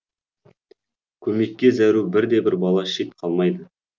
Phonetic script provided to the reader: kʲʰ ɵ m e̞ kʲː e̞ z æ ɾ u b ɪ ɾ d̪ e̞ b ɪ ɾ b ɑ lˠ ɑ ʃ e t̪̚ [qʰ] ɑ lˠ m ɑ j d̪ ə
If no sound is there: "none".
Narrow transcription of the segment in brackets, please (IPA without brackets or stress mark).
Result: qʰ